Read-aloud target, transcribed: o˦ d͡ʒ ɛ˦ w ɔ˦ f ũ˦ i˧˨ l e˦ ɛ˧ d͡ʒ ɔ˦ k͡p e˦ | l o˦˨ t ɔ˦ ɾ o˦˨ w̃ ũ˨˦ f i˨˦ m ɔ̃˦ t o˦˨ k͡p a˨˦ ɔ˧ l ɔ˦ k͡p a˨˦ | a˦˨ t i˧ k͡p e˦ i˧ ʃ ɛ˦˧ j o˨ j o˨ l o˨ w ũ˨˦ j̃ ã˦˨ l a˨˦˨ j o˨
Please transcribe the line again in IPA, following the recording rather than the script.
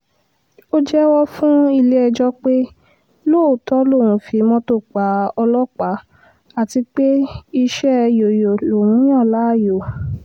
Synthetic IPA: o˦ d͡ʒ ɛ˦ w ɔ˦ f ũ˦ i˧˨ l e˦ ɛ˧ d͡ʒ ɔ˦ k͡p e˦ | l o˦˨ t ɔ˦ l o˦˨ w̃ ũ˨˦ f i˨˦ m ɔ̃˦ t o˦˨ k͡p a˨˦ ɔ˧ l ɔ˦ k͡p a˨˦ | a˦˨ t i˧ k͡p e˦ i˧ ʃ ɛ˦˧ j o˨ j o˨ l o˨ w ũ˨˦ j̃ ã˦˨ l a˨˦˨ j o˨